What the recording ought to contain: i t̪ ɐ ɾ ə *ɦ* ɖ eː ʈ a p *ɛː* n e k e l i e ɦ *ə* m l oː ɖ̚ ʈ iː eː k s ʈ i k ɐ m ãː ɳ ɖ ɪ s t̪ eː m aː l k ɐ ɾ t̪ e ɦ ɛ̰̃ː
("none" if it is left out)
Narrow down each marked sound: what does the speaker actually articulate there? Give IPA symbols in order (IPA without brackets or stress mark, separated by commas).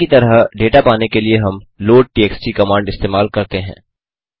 ɦ, aː, ɐ